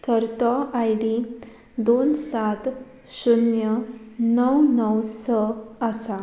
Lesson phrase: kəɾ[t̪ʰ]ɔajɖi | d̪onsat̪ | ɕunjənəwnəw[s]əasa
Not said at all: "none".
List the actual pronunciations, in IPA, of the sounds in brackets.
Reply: t̪, s

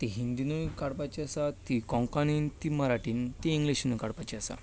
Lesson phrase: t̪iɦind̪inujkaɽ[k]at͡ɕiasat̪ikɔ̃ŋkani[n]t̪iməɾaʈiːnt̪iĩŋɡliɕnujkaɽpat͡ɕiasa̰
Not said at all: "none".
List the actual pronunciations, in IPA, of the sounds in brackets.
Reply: p, n

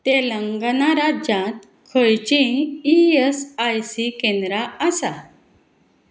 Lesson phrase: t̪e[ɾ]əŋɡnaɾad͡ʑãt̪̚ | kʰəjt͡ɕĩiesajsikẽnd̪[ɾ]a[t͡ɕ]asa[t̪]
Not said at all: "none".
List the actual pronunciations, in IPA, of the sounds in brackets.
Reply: l, ɾ, none, none

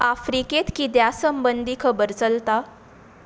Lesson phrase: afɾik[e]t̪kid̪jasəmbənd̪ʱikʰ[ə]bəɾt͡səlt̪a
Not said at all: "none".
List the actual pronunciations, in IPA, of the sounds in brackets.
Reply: e, ə

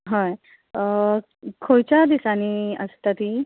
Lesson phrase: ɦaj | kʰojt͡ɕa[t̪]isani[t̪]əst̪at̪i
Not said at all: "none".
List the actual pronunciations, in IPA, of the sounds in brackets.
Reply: d̪, none

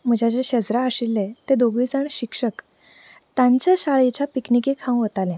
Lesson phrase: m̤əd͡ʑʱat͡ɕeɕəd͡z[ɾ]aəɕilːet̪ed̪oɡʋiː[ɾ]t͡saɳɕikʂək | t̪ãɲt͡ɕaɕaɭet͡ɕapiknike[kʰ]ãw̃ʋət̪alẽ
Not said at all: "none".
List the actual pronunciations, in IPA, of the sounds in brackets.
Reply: ɾ, none, kʰ

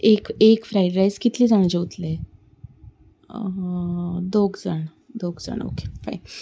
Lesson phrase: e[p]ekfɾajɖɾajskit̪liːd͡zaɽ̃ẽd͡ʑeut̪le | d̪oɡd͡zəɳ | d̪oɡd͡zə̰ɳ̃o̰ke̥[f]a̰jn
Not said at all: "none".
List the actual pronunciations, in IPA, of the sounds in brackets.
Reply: k, f

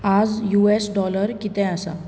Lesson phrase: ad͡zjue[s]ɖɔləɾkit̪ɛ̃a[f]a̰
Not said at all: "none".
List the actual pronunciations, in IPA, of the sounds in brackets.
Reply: s, s

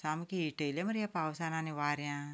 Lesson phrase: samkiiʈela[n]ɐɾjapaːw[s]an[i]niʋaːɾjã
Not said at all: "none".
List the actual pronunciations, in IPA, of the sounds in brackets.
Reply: m, s, a

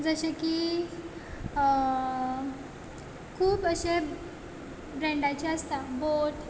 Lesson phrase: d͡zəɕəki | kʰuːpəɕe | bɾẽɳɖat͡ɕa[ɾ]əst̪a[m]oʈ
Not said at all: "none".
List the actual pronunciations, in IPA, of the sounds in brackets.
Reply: none, b

